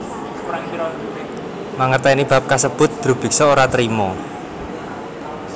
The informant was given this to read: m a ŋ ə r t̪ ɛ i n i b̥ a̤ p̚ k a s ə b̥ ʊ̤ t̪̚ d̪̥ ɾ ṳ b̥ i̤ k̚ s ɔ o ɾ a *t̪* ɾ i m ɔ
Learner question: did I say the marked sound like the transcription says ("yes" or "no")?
yes